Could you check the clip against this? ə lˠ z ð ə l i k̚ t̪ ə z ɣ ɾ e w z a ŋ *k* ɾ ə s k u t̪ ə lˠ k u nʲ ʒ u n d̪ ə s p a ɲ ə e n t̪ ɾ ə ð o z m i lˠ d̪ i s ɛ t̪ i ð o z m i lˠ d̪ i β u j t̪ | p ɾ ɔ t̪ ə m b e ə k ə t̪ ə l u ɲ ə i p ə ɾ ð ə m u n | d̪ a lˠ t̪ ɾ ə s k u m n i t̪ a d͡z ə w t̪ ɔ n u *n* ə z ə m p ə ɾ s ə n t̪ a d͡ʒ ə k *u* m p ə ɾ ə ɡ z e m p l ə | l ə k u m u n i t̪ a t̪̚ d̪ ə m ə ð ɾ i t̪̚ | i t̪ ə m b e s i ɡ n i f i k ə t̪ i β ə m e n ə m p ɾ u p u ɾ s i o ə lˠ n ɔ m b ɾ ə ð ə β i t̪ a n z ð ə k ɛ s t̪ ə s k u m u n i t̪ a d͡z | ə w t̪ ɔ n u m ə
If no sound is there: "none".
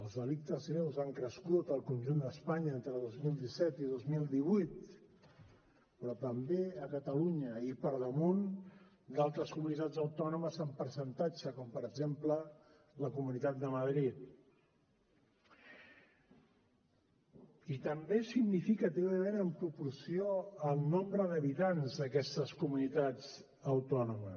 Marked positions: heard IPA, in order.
k, m, ɔ

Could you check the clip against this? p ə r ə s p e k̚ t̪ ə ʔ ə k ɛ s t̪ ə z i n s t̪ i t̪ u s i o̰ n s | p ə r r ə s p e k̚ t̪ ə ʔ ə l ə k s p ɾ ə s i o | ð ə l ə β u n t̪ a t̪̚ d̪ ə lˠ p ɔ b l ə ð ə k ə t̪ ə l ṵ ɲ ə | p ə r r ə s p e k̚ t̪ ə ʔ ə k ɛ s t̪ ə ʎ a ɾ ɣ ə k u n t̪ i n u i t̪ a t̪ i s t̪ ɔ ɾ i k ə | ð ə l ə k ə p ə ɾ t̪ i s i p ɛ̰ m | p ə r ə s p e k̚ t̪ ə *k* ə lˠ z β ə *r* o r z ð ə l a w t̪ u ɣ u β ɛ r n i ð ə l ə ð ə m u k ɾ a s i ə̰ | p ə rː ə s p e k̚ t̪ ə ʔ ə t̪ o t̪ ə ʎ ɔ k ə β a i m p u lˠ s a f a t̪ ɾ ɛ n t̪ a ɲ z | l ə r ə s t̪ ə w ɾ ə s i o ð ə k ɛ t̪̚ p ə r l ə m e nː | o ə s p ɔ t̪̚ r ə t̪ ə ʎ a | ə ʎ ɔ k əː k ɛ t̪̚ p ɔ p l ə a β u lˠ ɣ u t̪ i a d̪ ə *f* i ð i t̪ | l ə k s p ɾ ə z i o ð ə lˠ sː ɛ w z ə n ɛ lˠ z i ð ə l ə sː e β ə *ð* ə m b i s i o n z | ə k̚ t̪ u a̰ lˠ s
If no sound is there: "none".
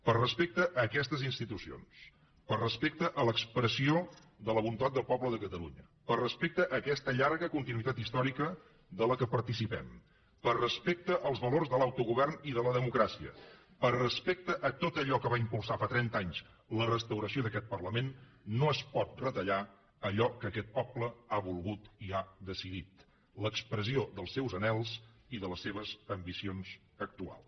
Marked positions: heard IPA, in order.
ʔ, l, s, z

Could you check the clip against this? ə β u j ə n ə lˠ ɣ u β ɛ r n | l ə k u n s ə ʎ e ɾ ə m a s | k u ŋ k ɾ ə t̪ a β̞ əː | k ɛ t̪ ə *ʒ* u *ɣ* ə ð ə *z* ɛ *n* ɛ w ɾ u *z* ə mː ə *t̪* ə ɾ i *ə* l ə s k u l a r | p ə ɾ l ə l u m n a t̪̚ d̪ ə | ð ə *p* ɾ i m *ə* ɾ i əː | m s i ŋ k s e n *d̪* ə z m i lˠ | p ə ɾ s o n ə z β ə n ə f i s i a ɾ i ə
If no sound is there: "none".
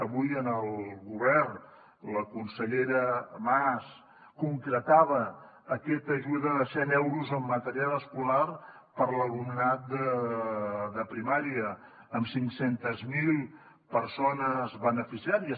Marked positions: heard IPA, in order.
ʒ, ð, s, n, z, t̪, a, p, a, t̪

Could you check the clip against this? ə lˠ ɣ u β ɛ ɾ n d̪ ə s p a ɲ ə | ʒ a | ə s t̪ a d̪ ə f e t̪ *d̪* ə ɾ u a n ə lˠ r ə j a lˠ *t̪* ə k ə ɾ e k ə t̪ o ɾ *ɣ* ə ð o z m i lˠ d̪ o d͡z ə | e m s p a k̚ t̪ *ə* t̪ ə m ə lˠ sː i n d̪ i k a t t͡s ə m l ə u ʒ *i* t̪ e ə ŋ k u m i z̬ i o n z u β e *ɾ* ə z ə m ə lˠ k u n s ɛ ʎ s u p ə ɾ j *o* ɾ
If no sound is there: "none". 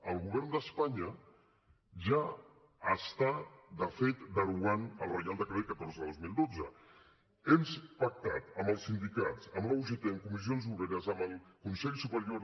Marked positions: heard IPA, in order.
d̪, d̪, z, a, e, ɾ, o

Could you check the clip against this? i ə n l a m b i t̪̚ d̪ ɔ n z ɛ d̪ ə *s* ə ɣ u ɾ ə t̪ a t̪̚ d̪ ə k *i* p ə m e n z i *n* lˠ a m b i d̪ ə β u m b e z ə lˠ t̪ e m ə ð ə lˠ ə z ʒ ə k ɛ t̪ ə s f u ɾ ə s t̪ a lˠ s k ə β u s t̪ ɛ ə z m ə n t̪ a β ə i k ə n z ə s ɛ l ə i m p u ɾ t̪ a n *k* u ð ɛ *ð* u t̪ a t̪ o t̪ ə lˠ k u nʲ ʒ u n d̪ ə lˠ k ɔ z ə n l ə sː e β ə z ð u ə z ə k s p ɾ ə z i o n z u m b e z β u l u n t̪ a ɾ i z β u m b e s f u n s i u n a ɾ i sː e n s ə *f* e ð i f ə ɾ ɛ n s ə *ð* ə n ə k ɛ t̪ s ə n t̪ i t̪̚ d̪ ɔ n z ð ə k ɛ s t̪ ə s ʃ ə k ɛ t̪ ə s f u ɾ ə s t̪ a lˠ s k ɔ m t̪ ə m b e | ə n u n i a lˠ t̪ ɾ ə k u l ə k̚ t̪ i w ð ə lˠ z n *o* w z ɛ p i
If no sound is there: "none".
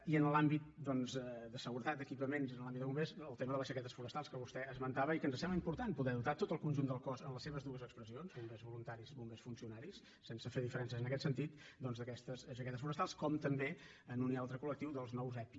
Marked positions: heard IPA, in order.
s, i, n, p, ð, f, z, ɔ

